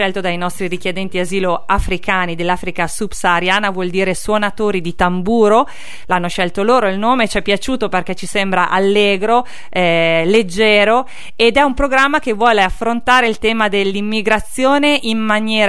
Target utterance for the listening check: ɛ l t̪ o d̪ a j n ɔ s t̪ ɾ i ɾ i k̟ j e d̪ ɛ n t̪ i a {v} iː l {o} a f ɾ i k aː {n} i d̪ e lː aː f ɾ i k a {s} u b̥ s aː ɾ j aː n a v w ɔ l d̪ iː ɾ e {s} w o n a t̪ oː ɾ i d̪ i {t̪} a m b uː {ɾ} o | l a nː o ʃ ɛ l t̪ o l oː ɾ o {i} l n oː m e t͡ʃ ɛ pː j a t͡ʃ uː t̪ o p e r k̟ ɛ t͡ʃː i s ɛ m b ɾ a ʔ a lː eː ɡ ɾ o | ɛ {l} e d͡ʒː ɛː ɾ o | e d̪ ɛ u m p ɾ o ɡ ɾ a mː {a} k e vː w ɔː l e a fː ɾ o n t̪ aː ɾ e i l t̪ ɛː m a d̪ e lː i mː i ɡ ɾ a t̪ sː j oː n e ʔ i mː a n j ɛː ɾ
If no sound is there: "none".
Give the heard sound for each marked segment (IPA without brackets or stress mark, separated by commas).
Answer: z, o, n, s, s, t̪, ɾ, i, l, a